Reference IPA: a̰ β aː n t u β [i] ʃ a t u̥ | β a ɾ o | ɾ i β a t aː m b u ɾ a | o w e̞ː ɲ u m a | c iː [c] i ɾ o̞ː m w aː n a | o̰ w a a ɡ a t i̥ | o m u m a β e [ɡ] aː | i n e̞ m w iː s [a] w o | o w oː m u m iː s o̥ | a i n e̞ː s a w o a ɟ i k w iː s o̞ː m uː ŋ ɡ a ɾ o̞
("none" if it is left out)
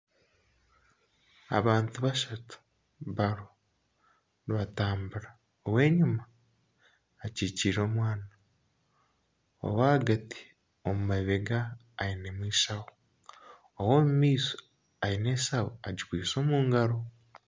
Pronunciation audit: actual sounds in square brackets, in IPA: a, c, ɡ, a

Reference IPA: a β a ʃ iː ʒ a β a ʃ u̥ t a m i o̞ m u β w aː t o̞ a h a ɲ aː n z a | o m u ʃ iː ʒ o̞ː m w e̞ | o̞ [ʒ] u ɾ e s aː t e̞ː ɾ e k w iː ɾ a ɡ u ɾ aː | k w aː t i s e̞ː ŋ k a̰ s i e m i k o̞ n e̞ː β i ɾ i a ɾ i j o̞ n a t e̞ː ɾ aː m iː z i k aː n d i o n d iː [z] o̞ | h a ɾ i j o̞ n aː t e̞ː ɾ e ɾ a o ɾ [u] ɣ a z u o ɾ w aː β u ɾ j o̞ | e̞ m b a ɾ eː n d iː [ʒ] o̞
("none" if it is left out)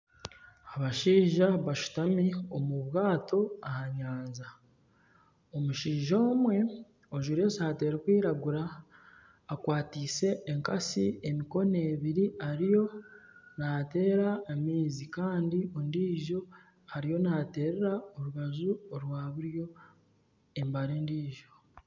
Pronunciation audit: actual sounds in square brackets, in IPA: ʒ, ʒ, u, ʒ

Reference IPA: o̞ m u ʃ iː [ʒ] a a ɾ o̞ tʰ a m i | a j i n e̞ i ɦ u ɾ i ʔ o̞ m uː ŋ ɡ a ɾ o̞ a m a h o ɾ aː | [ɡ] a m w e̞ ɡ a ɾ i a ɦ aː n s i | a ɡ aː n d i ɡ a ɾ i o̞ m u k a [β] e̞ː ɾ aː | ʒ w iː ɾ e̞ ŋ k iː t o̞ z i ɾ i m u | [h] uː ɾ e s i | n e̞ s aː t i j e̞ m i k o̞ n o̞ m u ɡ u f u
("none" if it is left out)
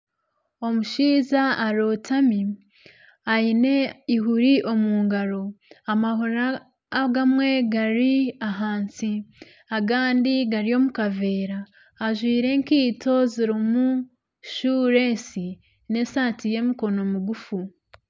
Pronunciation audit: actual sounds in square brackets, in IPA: z, ɡ, v, ʃ

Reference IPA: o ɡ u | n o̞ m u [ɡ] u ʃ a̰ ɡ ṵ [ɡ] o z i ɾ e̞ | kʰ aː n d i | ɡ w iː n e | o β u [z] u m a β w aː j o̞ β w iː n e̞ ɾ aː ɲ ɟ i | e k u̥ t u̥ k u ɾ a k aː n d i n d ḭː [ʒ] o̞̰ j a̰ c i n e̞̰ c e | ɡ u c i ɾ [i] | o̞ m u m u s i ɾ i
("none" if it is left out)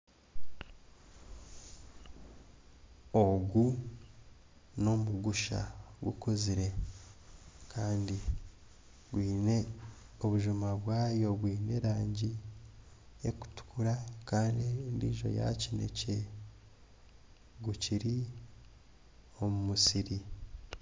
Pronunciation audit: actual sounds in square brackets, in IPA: ɡ, k, ʒ, ʒ, i

